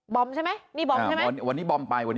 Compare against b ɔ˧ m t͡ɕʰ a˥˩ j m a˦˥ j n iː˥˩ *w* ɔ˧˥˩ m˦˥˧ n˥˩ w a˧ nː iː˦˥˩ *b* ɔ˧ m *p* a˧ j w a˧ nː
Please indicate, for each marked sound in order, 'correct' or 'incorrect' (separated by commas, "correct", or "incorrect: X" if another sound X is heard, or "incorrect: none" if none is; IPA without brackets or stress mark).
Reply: incorrect: b, correct, correct